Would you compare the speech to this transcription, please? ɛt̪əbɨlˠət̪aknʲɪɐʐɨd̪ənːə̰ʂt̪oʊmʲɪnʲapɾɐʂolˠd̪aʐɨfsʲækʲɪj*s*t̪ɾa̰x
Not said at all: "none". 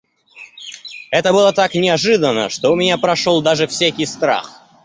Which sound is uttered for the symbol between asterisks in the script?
s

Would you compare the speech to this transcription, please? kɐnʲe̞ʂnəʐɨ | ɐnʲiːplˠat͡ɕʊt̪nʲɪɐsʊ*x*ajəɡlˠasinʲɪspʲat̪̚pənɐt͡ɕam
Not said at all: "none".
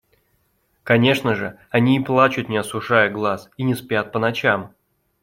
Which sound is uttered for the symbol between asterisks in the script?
ʂ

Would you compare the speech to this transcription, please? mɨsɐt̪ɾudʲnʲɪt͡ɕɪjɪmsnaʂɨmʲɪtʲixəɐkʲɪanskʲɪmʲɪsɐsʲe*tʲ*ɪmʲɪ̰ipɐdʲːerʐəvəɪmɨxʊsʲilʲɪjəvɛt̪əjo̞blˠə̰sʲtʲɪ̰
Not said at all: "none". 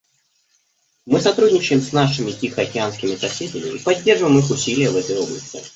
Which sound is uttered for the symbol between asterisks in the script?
dʲ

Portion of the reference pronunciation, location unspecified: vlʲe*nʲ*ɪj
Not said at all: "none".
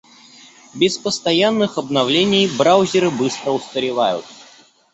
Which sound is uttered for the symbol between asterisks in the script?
nʲ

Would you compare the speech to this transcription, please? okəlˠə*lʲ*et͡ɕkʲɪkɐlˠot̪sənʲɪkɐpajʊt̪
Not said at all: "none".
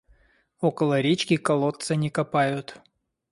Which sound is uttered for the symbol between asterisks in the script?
ɾʲ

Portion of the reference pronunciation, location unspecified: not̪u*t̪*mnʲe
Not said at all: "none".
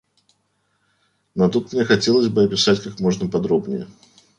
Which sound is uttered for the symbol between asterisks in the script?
t̪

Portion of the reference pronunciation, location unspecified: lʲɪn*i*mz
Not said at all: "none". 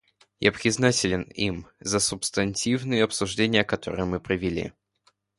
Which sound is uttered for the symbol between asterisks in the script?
i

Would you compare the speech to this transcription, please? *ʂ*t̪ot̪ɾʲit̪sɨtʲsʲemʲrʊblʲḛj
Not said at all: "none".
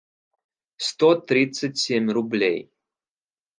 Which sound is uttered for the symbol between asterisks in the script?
s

